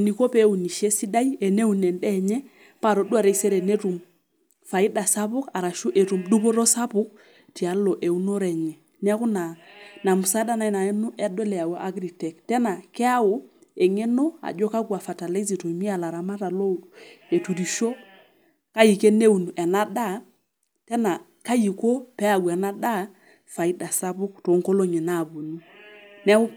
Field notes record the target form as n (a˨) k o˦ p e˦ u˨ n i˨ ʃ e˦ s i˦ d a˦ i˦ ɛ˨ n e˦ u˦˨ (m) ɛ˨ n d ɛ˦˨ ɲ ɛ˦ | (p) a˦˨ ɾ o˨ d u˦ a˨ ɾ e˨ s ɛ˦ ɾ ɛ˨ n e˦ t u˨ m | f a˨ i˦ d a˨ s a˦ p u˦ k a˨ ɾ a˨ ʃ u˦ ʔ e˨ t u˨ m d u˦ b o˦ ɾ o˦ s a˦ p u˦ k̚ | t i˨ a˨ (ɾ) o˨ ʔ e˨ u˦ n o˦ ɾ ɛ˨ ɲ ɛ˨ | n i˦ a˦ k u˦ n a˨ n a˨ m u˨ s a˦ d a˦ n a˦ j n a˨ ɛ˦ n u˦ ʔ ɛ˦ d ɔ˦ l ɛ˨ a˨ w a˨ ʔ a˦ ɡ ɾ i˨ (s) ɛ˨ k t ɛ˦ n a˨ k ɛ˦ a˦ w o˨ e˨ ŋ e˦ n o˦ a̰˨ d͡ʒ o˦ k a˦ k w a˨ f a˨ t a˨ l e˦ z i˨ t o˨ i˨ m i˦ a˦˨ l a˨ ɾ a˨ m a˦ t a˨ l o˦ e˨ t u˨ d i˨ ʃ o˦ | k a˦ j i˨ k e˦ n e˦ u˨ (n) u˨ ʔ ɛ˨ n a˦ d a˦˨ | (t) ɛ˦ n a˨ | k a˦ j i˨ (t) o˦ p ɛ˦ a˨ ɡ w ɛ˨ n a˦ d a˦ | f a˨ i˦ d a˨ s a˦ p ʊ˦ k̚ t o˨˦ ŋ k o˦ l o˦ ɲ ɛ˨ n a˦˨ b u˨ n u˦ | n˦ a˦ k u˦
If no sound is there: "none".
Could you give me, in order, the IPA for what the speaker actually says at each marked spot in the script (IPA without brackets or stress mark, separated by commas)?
i˨, n, p, l, t, n, t, k